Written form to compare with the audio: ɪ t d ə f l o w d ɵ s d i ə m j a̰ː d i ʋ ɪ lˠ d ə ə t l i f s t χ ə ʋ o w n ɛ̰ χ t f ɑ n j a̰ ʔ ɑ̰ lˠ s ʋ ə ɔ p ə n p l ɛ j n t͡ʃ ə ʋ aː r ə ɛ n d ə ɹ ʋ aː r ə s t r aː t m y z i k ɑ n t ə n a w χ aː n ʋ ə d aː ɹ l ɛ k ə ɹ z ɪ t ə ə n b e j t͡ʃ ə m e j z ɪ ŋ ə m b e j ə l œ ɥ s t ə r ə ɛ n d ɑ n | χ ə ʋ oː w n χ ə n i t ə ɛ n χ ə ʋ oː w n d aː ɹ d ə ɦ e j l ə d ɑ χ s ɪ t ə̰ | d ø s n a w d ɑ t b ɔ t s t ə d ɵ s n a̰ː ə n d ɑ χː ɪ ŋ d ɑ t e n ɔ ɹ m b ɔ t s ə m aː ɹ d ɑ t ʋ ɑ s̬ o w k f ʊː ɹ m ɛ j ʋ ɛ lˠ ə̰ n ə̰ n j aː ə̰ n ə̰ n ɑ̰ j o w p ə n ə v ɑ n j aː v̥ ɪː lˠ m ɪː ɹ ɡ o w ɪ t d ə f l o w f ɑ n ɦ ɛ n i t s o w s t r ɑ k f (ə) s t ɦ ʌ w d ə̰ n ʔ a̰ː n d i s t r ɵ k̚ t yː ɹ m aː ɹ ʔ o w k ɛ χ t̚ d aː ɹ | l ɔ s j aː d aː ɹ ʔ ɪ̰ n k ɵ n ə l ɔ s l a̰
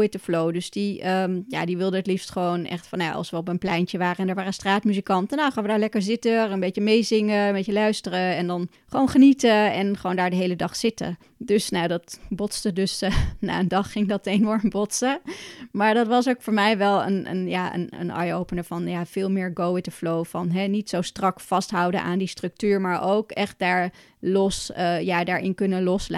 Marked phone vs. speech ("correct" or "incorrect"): incorrect